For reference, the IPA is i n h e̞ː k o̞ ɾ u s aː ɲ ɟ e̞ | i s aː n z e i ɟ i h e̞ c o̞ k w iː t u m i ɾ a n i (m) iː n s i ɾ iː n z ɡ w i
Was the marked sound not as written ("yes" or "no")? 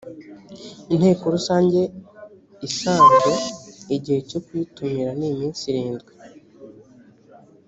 no